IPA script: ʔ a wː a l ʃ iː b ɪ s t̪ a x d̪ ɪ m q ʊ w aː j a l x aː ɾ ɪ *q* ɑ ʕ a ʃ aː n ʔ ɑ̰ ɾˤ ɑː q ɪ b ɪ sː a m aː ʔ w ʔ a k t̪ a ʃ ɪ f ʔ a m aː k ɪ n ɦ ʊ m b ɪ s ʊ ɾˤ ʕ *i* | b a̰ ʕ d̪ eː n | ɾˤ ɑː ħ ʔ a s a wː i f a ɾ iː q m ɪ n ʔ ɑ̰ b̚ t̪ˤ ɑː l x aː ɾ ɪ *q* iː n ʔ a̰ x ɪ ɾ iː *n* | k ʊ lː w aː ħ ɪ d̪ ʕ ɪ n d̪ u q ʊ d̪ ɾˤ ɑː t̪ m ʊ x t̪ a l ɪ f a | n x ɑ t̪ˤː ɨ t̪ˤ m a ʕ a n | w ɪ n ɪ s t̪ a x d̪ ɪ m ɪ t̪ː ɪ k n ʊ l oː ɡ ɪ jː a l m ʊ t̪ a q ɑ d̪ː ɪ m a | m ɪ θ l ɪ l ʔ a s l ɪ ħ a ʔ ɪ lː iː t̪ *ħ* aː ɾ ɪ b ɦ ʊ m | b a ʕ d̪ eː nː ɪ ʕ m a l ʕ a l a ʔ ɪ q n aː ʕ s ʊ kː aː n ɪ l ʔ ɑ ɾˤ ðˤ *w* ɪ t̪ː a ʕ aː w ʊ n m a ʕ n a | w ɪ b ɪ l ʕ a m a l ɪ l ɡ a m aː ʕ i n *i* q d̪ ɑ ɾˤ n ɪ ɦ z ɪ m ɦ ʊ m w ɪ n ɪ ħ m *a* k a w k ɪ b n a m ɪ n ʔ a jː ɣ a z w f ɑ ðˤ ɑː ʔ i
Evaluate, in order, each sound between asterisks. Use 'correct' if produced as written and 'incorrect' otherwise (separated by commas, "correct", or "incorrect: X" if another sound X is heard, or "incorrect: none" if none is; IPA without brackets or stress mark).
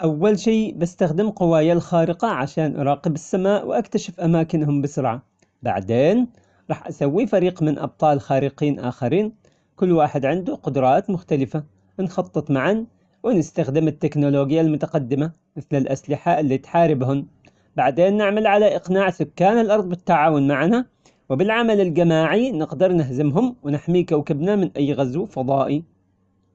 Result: correct, incorrect: a, correct, correct, correct, incorrect: b, incorrect: ɪ, incorrect: i